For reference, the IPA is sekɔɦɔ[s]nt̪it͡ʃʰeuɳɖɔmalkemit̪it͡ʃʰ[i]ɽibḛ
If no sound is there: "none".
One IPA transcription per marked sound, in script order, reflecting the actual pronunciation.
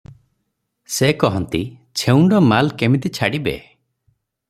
none, a

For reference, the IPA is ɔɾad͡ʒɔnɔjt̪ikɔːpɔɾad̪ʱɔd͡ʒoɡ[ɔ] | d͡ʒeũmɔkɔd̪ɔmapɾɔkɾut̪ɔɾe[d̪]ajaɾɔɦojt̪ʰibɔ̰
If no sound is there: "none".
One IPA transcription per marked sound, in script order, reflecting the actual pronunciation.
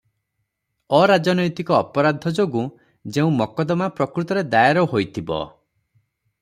u, d̪

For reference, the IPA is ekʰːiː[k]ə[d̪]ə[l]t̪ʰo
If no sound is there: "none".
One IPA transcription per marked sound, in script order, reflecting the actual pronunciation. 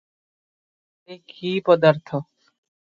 p, d̪, ɾ

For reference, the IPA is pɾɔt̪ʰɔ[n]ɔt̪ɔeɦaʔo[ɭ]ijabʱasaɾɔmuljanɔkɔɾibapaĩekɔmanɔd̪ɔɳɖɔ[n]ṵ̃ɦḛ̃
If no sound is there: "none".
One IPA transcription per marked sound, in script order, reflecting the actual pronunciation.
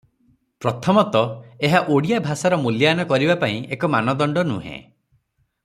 m, ɽ, n

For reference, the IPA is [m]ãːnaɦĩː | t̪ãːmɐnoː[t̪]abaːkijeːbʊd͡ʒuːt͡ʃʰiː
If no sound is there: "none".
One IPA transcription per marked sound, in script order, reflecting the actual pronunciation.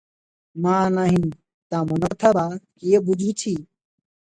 m, t̪ʰ

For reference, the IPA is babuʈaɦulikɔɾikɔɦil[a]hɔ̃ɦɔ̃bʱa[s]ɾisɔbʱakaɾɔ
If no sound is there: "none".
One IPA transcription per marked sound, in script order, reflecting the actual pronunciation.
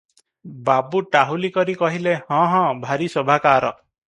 e, none

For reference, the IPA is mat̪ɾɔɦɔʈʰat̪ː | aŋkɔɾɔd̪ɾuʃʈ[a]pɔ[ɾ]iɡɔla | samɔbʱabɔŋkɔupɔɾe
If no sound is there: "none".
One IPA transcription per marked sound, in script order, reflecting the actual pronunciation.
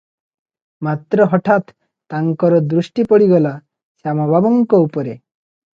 i, ɽ

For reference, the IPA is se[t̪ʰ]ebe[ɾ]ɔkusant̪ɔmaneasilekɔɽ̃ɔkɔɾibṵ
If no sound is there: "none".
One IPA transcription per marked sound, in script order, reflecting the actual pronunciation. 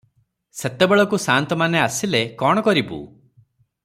t̪, ɭ

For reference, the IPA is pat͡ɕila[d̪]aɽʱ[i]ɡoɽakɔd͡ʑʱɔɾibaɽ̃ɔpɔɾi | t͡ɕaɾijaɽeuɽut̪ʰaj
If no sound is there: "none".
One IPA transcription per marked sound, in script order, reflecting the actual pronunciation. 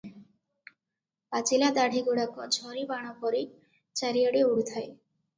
d̪, i

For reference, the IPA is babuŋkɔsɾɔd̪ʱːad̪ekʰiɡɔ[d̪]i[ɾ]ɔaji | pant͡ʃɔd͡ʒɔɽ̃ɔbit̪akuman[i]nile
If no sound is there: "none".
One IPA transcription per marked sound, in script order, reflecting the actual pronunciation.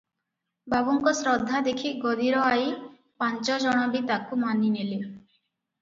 d̪, ɾ, i

